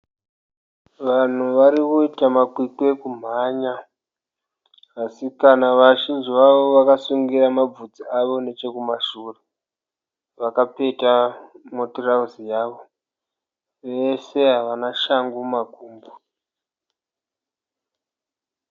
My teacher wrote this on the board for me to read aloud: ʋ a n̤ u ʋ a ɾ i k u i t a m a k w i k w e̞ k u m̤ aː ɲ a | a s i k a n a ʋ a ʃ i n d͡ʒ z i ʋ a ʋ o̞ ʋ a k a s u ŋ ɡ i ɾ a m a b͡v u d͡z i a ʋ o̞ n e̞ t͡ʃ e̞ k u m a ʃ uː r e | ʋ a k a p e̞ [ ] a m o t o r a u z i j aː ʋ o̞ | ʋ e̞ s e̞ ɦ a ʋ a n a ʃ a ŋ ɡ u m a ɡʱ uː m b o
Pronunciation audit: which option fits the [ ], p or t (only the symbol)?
t